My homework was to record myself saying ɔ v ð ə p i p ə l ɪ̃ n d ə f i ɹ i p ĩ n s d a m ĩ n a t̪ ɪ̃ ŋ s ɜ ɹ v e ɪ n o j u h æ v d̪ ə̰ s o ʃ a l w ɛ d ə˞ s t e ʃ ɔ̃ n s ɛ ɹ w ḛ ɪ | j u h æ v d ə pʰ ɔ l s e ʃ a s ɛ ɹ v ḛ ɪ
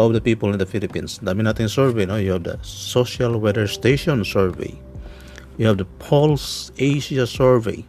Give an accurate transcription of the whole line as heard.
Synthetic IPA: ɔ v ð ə p i p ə l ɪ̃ n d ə f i l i p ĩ n s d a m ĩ n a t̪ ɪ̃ ŋ s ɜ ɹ v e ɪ n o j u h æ v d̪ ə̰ s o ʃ a l w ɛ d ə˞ s t e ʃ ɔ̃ n s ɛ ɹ v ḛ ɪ | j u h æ v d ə pʰ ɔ l s e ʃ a s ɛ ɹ v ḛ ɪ